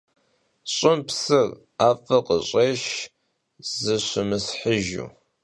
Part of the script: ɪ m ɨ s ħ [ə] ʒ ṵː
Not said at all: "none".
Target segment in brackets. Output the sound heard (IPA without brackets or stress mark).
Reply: ə